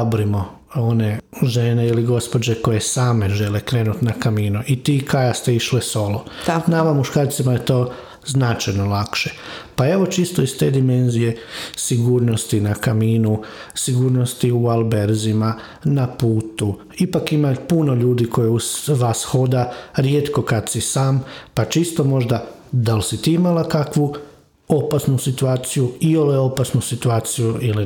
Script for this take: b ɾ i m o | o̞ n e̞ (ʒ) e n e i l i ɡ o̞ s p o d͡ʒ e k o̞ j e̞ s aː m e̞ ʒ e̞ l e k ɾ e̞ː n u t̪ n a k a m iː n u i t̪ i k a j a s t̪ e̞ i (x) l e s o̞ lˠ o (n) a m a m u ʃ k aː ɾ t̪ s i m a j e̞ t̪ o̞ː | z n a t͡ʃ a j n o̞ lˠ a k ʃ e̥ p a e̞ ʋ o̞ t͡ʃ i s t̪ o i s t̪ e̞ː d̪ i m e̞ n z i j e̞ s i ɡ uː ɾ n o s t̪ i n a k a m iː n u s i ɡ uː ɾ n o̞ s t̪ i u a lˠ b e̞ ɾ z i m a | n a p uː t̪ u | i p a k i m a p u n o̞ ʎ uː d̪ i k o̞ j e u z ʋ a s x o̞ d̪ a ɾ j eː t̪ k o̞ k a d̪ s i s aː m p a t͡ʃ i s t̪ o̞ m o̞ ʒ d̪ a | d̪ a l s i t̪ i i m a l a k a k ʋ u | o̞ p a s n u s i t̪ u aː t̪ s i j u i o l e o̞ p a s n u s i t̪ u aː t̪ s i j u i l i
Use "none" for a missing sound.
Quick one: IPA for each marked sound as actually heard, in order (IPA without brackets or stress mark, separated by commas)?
ʒ, ʃ, n